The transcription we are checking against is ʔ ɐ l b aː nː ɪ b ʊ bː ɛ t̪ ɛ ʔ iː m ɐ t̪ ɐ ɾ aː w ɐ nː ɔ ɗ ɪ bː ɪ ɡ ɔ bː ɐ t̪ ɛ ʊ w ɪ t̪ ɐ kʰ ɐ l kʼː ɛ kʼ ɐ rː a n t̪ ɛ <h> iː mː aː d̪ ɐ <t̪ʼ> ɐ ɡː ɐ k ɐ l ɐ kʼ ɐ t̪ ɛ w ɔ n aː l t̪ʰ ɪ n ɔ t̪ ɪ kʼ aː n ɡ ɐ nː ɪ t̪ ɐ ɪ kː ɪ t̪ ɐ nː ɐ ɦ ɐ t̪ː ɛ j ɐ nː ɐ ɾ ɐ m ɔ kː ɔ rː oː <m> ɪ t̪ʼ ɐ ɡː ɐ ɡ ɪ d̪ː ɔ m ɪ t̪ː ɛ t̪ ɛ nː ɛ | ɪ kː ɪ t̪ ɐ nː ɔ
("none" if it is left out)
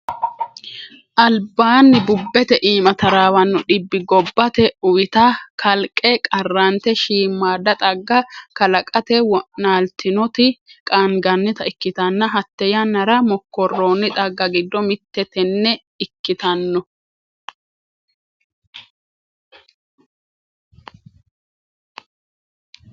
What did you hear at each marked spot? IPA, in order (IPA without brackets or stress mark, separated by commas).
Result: ʃ, t̪ʼ, n